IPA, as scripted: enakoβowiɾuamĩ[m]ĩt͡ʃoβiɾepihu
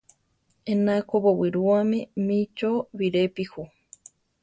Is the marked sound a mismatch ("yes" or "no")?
no